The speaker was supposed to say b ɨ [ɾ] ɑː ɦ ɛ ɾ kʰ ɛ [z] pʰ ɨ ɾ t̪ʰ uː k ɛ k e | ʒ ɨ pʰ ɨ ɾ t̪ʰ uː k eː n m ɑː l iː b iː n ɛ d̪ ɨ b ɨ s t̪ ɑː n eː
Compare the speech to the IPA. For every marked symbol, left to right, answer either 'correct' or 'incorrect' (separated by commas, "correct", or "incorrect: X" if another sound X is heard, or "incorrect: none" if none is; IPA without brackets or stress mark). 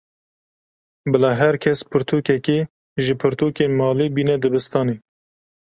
incorrect: l, incorrect: s